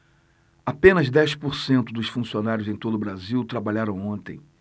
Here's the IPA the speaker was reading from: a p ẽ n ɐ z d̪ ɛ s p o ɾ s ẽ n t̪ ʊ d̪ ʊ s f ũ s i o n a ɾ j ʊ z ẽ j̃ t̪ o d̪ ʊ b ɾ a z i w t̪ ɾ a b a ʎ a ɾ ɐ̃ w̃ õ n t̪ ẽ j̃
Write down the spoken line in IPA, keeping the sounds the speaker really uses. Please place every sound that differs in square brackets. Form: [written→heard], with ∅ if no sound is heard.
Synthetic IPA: a p ẽ n ɐ z d̪ ɛ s p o ɾ s ẽ n t̪ ʊ d̪ ʊ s f ũ s i o n a ɾ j ʊ z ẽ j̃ t̪ o d̪ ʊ b ɾ a z i w t̪ ɾ a b a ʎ a ɾ ɐ̃ w̃ õ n t̪ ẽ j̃